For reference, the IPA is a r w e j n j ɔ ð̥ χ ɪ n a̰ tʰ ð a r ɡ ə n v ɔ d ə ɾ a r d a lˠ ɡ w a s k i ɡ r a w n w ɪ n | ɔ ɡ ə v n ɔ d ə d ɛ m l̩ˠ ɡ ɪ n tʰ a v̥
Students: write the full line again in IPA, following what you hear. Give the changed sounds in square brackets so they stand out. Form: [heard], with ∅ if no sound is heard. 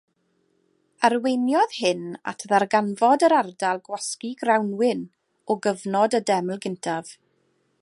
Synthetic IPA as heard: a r w e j n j ɔ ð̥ [h] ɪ n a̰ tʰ ð a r ɡ [a] n v ɔ d ə ɾ a r d a lˠ ɡ w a s k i ɡ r a w n w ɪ n | ɔ ɡ ə v n ɔ d ə d ɛ m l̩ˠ ɡ ɪ n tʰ a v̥